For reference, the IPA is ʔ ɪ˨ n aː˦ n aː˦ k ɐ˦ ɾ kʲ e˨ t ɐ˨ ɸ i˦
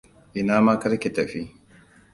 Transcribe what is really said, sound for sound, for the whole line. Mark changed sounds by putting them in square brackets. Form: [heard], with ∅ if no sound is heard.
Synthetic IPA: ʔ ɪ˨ n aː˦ [m] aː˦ k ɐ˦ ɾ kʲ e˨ t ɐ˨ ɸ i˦